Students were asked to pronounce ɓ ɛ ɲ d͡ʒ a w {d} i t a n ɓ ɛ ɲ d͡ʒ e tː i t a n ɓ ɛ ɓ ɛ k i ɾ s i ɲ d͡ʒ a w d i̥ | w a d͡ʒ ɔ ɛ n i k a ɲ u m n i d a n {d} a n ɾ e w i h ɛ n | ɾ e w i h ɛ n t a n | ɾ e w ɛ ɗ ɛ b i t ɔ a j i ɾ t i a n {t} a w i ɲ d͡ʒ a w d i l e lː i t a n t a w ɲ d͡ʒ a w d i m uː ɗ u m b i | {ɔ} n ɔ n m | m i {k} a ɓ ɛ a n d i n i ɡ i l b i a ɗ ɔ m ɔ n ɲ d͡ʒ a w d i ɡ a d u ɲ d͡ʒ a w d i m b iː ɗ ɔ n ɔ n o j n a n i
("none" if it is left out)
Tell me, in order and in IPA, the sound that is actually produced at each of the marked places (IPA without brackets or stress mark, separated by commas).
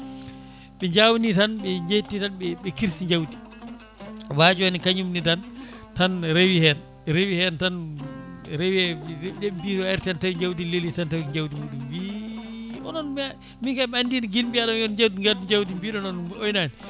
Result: n, t, t, ɔ, k